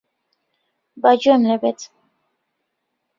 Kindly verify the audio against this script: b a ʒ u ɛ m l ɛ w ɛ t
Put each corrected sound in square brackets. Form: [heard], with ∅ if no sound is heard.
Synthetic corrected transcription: b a [d͡ʒ] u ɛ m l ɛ [b] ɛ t